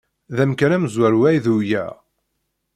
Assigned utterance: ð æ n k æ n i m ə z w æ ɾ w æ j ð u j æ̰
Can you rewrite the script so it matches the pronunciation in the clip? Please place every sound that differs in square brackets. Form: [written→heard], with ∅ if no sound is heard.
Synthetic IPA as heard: ð æ [n→m] k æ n [i→æ] m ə z w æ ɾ w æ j ð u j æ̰